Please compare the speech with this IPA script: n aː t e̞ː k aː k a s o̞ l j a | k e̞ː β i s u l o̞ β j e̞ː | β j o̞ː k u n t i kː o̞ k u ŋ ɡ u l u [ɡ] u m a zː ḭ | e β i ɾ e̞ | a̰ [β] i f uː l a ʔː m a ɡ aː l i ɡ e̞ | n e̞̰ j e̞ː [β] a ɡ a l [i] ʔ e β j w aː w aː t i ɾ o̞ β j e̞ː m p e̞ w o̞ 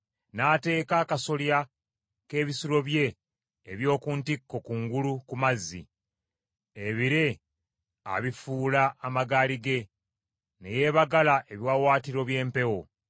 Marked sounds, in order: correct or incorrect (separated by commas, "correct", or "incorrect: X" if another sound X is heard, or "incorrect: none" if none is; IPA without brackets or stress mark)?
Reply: incorrect: k, correct, correct, incorrect: a